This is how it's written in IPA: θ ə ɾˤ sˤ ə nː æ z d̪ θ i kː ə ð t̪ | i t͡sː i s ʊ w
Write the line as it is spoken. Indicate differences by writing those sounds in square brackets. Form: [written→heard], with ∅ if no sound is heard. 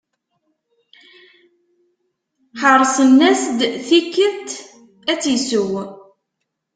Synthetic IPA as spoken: [θ→ħ] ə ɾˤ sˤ ə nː æ [z→s] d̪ θ i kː ə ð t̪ | [i→æ] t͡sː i s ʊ w